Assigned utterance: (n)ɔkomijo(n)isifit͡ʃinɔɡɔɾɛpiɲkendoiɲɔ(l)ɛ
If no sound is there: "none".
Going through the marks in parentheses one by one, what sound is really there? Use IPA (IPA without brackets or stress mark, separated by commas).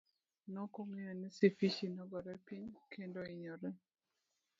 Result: n, n, ɾ